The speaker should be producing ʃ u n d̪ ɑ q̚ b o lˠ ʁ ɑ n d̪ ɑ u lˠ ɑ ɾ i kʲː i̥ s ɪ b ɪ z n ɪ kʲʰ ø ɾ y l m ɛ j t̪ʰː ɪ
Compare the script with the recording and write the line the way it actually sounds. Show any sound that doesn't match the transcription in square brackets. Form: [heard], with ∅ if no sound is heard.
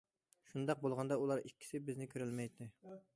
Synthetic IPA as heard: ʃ u n d̪ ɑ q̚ b o lˠ ʁ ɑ n d̪ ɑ u lˠ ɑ ɾ i kʲː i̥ s ɪ b ɪ z n ɪ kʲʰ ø ɾ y l m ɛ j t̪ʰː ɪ